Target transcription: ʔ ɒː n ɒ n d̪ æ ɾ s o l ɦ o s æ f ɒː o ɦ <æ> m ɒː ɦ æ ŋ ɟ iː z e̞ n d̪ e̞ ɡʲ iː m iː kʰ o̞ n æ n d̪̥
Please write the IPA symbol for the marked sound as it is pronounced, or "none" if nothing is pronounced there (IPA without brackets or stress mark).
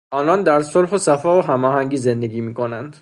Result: æ